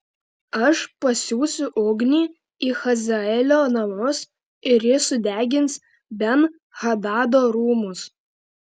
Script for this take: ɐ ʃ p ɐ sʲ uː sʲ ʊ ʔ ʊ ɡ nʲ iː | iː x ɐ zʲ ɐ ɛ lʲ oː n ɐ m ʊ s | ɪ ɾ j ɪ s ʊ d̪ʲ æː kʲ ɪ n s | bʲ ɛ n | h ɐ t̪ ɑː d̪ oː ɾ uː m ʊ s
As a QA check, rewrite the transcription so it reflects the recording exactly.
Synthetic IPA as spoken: ɐ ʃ p ɐ sʲ uː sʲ ʊ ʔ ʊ ɡ nʲ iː | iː x ɐ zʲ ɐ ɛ lʲ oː n ɐ m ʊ s | ɪ ɾ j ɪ s ʊ d̪ʲ æː ɡʲ ɪ n s | bʲ ɛ n | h ɐ d̪ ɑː d̪ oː ɾ uː m ʊ s